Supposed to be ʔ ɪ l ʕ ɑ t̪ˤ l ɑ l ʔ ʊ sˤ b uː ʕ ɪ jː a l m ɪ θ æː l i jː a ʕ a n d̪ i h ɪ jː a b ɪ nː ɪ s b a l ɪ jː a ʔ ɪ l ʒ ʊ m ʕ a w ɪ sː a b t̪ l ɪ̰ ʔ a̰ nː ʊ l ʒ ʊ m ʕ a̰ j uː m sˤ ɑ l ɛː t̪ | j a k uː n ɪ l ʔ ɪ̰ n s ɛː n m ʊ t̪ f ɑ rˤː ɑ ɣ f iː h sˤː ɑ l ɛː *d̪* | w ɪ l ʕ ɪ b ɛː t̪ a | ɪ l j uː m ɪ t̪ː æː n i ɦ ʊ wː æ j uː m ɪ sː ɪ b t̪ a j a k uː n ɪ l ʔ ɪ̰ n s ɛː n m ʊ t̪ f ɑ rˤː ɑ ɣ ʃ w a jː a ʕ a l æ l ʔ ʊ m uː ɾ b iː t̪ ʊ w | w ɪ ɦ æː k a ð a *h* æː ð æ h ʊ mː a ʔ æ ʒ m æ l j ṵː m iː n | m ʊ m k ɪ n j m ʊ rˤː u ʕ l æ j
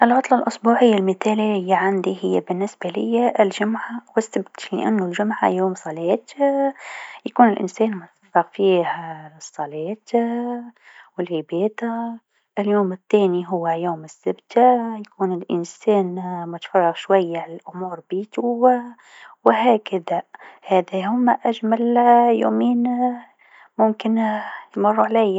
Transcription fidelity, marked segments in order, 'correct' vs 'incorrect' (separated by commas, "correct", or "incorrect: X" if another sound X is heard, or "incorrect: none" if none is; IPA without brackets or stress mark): incorrect: t̪, correct